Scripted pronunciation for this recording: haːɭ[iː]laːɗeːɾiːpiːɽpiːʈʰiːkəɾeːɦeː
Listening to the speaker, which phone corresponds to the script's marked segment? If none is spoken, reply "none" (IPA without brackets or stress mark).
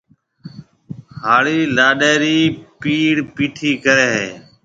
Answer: iː